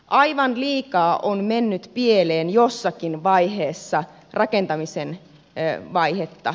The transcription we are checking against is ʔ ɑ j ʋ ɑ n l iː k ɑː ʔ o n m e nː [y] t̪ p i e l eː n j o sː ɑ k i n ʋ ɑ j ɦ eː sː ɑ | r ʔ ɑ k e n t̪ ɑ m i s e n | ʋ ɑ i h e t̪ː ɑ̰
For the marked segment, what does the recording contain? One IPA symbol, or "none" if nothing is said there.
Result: y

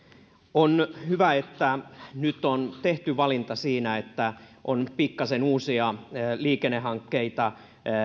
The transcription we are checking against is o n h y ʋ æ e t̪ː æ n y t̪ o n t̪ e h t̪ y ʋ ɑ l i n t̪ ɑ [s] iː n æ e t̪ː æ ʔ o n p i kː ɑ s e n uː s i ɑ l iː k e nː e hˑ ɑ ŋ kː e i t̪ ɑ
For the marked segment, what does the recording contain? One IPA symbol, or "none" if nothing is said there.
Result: s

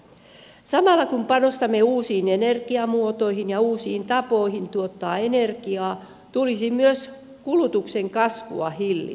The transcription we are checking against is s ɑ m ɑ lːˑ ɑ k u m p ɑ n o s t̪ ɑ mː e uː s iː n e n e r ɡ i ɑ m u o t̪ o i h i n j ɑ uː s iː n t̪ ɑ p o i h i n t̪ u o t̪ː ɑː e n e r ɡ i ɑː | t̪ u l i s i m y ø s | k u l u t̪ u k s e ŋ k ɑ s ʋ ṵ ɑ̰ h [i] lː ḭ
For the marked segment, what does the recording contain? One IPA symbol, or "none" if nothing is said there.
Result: i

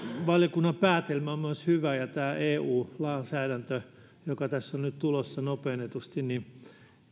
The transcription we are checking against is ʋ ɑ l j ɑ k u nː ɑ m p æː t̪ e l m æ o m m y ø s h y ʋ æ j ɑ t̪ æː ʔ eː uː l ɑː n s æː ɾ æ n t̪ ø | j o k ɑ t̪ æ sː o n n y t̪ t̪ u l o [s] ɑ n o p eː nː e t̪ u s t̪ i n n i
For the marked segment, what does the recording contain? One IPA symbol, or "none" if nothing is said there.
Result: sː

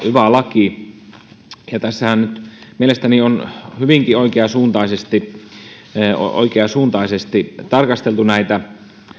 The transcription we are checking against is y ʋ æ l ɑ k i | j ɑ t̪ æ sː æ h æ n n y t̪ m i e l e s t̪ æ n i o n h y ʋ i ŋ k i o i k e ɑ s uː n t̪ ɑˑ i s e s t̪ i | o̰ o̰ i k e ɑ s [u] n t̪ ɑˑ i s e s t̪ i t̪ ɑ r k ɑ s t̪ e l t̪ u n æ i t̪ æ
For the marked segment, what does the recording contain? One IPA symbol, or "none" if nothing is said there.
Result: uː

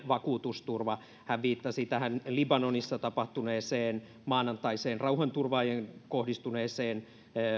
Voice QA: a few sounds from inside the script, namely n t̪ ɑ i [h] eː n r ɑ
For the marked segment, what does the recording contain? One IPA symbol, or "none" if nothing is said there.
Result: s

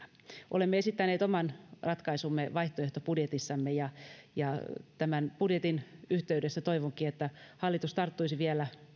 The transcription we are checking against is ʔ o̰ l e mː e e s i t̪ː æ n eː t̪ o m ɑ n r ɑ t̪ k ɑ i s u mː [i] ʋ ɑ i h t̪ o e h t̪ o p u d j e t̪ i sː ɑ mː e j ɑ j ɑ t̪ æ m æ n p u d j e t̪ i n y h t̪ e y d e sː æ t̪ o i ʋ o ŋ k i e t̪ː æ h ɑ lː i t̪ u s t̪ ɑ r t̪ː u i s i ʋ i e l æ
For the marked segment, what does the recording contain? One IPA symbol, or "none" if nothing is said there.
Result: e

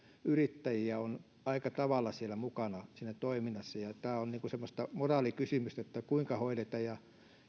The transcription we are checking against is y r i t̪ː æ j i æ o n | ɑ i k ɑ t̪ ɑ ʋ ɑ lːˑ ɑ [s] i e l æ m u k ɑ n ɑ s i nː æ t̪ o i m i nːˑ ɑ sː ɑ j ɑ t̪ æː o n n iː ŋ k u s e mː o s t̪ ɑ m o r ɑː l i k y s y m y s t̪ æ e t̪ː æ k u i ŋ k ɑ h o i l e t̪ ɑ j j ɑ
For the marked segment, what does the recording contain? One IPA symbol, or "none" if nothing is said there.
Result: s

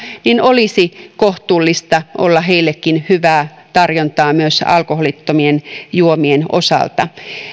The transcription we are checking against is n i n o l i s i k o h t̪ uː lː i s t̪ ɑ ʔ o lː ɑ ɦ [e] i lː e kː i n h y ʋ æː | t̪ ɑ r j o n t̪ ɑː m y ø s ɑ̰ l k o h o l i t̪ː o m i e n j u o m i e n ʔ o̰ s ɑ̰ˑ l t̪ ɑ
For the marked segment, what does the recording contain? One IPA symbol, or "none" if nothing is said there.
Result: e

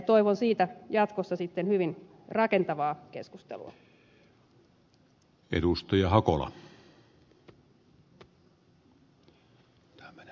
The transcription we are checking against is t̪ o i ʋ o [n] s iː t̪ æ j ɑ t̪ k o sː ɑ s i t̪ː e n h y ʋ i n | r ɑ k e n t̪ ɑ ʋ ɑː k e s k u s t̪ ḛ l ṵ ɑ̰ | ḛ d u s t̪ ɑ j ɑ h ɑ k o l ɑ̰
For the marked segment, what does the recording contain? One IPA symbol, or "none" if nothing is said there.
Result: n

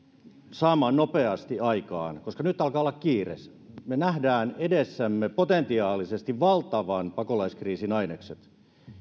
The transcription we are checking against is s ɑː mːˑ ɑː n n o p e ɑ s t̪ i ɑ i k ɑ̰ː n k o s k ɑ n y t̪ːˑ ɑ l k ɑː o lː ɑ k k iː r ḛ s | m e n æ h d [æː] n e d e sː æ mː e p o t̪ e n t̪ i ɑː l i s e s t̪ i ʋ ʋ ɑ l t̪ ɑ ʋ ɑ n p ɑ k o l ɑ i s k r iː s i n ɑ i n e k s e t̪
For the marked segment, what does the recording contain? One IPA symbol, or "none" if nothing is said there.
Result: æː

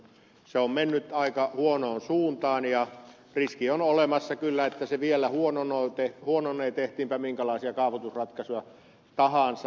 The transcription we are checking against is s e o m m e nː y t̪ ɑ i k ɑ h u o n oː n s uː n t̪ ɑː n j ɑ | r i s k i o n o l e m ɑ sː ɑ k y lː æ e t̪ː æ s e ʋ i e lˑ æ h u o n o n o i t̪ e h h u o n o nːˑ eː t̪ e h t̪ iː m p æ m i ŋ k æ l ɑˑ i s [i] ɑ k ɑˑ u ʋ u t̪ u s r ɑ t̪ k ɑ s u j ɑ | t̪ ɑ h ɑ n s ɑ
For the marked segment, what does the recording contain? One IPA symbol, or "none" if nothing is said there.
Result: i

